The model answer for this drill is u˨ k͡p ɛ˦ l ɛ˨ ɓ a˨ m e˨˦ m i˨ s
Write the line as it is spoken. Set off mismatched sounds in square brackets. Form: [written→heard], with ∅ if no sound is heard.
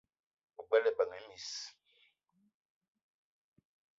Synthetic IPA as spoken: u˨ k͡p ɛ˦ l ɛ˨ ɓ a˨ [m→ŋ] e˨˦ m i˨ s